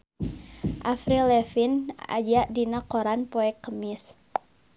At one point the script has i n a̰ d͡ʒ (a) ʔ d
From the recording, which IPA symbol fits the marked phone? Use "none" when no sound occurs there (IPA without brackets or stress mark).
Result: a